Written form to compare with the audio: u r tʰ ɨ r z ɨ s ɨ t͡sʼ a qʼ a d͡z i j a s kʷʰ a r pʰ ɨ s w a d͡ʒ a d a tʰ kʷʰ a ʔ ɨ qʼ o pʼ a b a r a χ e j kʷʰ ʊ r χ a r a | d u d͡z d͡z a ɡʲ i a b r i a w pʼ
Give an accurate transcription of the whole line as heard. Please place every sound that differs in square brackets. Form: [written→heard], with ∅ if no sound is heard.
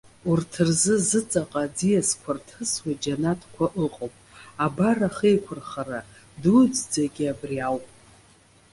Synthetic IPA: u r tʰ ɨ r z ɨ [s→z] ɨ t͡sʼ a qʼ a d͡z i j a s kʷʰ a r [pʰ→tʰ] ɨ s w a d͡ʒ a [d→n] a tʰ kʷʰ a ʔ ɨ qʼ o pʼ a b a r a χ e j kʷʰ ʊ r χ a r a | d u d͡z d͡z a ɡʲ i a b r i a w pʼ